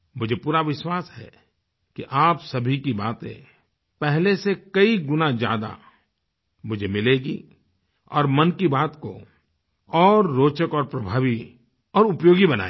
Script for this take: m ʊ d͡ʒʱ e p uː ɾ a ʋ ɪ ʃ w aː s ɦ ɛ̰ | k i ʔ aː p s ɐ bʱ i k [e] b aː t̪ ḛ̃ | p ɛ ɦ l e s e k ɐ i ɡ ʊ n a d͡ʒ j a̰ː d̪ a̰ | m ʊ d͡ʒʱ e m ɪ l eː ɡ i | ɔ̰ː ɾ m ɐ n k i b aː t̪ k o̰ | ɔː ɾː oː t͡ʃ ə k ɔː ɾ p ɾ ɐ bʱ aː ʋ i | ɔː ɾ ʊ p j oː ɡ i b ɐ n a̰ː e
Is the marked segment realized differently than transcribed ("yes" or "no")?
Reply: yes